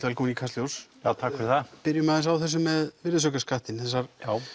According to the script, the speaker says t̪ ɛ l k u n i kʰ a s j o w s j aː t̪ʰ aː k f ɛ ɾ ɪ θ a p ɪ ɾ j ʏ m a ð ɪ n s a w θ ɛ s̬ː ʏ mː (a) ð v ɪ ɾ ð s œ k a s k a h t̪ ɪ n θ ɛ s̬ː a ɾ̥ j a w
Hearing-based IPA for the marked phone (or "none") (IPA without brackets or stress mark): ɛ